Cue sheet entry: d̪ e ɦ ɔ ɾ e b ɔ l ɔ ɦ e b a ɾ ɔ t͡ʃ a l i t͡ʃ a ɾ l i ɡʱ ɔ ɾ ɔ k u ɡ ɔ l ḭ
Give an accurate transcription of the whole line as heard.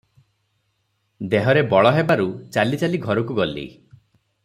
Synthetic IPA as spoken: d̪ e ɦ ɔ ɾ e b ɔ ɭ ɔ ɦ e b a ɾ u t͡ʃ a l i t͡ʃ a l i ɡʱ ɔ ɾ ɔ k u ɡ ɔ l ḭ